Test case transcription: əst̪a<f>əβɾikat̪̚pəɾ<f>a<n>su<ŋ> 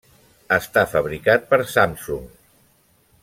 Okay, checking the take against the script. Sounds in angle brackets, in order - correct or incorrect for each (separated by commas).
correct, incorrect, incorrect, correct